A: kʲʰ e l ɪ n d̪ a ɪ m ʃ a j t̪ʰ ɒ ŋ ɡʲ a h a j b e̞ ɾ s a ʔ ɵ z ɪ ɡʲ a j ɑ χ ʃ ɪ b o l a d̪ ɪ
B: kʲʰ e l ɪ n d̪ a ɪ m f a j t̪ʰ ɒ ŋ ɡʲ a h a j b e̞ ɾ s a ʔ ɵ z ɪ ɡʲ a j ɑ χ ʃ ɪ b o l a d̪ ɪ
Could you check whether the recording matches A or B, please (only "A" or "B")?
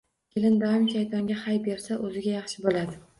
A